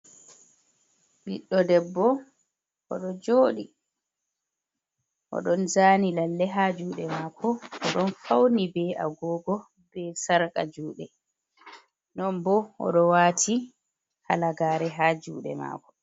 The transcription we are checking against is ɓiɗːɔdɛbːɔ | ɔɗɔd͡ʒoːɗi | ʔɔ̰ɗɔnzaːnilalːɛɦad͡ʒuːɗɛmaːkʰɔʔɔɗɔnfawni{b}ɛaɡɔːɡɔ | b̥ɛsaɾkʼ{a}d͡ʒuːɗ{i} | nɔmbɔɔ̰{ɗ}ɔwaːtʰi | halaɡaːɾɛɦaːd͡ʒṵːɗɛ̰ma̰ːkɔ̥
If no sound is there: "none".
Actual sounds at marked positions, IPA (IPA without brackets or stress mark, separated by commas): b, a, ɛ, ɗ